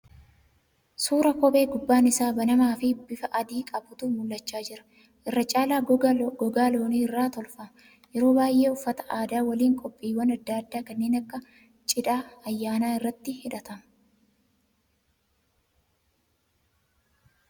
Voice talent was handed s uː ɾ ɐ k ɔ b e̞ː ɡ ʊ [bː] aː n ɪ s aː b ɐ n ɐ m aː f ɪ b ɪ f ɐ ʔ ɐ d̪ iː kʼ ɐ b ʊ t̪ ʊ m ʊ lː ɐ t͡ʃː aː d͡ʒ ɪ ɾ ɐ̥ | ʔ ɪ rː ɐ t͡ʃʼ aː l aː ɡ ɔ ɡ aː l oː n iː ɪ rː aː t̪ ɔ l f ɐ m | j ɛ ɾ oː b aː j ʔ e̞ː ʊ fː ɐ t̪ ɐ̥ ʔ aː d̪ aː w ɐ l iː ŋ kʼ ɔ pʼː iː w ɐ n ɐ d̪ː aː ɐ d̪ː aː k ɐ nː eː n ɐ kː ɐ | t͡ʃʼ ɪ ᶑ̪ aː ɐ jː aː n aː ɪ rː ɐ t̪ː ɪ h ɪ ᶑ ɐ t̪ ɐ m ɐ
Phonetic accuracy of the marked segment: correct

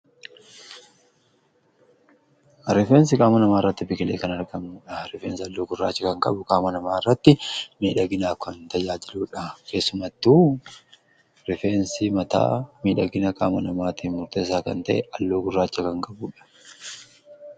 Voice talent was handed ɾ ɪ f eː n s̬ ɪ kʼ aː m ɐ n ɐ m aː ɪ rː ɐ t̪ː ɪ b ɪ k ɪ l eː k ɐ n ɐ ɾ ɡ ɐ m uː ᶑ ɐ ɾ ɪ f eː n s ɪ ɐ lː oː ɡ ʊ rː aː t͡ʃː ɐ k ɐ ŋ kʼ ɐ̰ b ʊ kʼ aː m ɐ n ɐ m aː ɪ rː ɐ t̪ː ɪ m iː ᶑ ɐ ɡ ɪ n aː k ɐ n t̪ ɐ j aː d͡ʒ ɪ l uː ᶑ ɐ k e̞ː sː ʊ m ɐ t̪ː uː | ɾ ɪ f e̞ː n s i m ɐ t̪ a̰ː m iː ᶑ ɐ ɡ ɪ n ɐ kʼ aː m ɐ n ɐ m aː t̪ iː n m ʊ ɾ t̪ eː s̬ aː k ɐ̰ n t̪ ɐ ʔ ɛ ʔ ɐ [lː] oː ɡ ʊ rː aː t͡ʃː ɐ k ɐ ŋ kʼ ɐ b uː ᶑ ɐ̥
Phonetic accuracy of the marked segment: correct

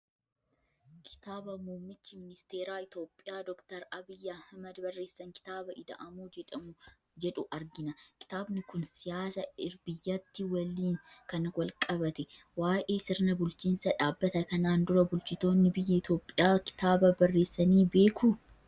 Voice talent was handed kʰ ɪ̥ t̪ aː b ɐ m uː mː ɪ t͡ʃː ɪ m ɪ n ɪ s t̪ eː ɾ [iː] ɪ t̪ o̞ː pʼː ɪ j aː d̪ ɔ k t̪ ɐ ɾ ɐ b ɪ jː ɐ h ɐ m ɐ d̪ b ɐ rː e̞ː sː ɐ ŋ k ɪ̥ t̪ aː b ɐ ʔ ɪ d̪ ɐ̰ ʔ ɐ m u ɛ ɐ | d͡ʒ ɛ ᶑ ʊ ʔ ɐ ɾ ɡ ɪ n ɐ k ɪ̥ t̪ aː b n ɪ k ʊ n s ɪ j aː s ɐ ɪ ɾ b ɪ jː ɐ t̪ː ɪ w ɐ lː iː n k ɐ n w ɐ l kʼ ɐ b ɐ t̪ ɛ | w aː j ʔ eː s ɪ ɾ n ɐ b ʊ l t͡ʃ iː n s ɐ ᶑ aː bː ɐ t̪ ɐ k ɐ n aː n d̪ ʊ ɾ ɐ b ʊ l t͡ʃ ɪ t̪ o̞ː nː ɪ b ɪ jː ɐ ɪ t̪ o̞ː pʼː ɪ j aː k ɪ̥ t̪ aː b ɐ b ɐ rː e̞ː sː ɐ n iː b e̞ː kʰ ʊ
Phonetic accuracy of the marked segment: incorrect: aː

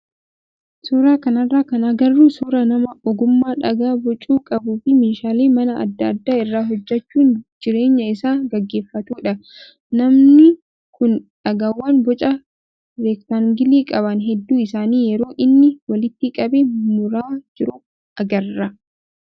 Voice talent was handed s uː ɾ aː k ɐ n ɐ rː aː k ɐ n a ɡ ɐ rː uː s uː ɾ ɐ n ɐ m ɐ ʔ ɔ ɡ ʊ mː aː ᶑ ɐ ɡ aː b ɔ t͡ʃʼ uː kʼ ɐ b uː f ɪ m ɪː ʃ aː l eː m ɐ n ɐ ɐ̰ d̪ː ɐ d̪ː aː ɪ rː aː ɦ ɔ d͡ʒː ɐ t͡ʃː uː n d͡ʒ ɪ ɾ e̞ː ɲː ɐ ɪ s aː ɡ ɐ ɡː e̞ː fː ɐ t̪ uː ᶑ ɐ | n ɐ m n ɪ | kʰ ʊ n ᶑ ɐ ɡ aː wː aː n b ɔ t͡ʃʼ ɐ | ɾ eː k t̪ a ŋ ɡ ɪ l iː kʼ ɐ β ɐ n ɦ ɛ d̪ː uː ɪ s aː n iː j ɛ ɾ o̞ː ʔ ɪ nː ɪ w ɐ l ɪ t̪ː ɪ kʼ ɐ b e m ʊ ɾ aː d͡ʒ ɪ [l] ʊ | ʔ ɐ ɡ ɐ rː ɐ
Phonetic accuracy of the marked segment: incorrect: ɾ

